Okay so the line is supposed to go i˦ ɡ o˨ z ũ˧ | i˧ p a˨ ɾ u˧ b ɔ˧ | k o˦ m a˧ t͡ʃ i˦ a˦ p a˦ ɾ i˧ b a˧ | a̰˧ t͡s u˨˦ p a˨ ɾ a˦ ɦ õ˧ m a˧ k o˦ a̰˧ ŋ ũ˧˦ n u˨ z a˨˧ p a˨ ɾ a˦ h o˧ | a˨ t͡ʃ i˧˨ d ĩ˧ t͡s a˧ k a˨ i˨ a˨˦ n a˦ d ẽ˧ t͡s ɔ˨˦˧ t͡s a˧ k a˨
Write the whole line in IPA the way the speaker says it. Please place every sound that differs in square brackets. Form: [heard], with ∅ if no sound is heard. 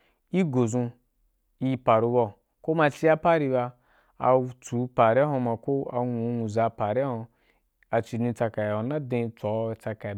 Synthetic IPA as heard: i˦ ɡ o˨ z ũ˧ | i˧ p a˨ ɾ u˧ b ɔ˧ | k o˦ m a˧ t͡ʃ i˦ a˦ p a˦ ɾ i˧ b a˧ | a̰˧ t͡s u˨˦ p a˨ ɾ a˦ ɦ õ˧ m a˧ k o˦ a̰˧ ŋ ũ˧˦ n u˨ z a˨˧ p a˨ ɾ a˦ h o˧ | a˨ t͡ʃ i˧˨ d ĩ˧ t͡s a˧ k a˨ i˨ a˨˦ n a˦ d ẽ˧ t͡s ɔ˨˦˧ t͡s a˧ k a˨